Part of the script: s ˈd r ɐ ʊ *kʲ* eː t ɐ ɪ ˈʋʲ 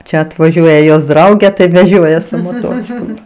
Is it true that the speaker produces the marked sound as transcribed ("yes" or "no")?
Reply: no